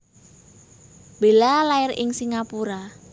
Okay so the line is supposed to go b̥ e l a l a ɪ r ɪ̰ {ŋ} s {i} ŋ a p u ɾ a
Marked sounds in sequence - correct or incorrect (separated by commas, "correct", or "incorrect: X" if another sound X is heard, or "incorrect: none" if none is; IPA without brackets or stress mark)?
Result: correct, correct